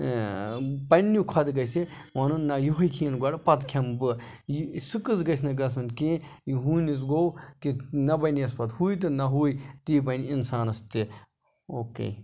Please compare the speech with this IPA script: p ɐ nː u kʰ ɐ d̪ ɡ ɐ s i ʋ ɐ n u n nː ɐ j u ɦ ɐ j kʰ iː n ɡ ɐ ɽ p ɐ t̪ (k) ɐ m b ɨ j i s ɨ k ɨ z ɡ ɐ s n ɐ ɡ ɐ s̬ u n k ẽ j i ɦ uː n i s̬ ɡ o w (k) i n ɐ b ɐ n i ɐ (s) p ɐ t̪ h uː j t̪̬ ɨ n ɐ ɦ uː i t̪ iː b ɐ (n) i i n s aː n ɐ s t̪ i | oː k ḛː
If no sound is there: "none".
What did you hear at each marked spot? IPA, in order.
kʰ, k, s, n

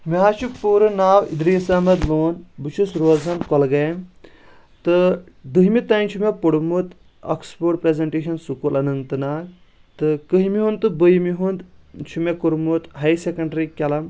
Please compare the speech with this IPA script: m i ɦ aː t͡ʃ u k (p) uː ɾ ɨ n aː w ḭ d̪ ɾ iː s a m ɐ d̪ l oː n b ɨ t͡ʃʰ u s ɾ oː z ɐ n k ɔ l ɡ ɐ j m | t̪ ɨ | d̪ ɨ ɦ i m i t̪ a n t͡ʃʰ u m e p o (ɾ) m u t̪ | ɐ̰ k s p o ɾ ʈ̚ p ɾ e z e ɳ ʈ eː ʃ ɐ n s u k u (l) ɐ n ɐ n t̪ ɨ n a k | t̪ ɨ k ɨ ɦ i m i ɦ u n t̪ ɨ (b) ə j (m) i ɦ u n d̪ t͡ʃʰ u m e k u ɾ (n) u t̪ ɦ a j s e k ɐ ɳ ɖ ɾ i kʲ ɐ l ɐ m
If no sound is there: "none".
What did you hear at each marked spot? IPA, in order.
p, ɽ, l, b, m, m

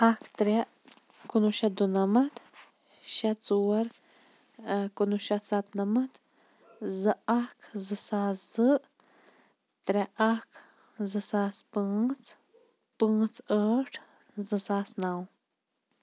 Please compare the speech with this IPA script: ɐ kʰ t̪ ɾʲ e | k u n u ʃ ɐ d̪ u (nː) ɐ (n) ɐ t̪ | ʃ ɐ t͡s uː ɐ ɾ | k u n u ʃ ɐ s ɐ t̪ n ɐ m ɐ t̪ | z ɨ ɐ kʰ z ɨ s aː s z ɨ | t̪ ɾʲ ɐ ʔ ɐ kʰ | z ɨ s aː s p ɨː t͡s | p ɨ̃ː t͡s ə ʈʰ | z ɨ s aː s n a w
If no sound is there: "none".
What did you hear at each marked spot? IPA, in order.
n, m

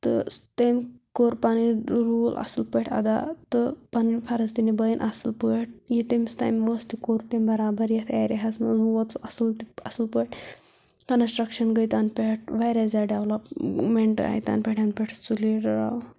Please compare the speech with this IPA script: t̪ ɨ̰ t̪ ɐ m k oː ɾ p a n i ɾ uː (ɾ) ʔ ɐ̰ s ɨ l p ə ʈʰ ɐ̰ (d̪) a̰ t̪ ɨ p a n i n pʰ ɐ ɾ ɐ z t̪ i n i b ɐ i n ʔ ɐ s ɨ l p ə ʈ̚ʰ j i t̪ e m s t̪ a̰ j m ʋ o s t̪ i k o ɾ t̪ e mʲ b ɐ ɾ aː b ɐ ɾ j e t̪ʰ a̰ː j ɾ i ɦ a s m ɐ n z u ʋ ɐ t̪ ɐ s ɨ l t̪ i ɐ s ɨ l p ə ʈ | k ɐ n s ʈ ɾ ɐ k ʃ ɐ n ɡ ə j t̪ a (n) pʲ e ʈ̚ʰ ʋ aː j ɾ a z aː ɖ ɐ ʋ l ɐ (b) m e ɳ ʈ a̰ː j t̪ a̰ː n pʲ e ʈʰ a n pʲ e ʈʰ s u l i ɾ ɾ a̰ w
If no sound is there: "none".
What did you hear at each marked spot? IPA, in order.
l, d̪, n, p

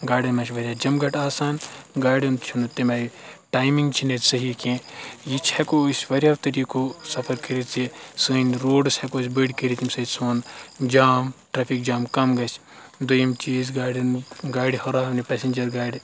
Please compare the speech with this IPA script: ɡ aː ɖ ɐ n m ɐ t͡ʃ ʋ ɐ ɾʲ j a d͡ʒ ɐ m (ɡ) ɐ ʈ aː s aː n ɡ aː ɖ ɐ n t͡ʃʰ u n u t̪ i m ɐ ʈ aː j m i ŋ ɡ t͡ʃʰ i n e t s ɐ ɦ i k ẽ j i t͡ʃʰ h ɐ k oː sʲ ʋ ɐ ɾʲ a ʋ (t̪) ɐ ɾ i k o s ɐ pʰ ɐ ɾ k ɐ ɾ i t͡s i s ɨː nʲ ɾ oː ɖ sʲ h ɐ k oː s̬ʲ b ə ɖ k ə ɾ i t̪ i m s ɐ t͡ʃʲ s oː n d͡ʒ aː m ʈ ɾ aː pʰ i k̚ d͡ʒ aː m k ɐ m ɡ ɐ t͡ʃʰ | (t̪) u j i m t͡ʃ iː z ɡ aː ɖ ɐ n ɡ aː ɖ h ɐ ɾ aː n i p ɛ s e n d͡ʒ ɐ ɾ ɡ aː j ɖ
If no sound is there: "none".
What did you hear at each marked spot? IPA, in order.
ɡ, t̪, d̪

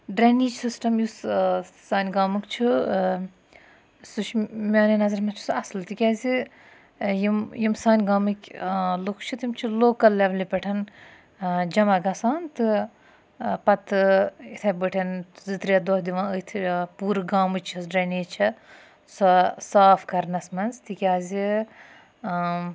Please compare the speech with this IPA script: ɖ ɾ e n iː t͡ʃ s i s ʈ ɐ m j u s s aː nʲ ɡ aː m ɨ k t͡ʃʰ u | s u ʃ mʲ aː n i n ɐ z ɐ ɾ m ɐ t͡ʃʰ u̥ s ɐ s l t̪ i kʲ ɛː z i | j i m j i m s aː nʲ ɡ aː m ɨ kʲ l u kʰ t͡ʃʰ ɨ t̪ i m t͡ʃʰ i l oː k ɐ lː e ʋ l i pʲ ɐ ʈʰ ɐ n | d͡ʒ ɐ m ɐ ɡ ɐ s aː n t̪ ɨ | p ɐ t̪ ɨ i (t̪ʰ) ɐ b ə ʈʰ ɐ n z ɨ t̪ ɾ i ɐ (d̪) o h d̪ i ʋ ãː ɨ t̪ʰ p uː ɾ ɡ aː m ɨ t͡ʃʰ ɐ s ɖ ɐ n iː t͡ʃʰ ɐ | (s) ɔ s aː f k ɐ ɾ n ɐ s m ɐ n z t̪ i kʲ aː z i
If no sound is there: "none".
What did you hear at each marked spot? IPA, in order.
t̪ʰ, d̪, s

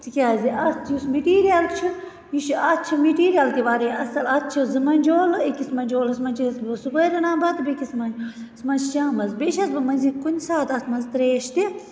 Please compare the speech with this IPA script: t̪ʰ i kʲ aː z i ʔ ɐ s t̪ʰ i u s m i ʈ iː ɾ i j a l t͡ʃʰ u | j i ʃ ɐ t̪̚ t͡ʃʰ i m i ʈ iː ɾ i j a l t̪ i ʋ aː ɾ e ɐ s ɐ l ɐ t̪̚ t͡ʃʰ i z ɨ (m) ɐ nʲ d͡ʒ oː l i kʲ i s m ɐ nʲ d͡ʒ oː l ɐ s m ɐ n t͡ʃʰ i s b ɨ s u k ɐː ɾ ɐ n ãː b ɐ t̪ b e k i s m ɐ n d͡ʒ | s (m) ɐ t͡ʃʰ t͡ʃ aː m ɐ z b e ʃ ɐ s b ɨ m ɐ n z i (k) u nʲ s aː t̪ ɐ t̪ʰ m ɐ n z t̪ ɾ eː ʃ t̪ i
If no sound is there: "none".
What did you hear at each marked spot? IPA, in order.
m, m, k

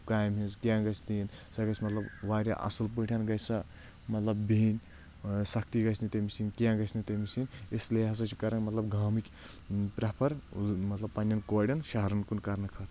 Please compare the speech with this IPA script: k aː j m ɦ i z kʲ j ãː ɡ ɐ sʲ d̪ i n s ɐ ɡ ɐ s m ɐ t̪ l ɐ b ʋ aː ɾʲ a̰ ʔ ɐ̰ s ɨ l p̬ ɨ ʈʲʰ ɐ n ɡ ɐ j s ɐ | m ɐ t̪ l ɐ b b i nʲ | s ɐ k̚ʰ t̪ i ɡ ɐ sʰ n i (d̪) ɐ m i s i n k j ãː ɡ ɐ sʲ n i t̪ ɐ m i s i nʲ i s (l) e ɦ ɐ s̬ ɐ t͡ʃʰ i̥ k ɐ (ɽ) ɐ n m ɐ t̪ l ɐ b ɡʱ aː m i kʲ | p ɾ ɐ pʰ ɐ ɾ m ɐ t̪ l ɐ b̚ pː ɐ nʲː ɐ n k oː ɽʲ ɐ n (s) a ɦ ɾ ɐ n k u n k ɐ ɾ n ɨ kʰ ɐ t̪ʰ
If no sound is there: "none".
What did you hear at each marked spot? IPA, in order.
t̪, l, ɾ, ʃ

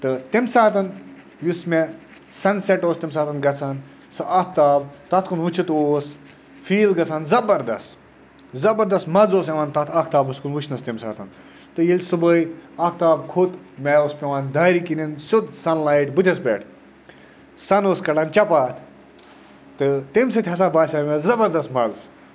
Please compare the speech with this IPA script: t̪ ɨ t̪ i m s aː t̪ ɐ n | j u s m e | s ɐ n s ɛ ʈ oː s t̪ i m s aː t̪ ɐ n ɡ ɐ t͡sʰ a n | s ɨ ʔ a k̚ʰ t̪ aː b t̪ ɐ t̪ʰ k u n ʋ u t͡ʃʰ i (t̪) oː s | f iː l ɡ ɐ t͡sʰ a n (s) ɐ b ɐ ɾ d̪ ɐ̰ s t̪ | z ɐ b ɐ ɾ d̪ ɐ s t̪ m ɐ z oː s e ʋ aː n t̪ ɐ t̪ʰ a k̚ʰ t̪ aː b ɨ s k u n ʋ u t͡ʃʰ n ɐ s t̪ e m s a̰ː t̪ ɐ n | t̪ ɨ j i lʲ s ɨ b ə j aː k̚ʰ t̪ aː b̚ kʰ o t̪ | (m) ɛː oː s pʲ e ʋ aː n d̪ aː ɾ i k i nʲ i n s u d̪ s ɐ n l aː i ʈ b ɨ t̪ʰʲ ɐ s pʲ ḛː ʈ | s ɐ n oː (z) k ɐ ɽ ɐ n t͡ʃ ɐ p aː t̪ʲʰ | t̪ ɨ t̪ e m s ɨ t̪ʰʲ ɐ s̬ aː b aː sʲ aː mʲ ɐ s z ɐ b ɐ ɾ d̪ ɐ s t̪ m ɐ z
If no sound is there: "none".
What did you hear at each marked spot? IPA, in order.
t̪, z, m, s

